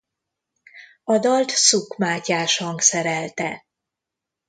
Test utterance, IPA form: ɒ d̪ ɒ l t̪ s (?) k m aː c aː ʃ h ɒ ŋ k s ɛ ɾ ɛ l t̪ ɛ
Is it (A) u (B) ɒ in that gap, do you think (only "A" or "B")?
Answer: A